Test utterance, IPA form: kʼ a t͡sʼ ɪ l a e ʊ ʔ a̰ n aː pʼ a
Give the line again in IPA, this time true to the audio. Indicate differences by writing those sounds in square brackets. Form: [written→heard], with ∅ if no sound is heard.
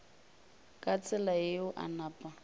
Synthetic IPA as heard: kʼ a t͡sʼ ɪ l a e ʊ ʔ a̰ n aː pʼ a